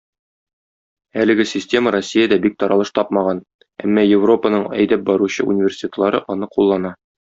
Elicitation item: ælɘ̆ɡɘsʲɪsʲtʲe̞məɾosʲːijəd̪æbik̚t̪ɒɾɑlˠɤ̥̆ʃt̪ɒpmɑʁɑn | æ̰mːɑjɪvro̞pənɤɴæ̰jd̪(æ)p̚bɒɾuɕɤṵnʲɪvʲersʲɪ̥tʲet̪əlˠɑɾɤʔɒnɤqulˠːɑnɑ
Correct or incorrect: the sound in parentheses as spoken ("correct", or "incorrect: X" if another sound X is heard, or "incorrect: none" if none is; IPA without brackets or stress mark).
correct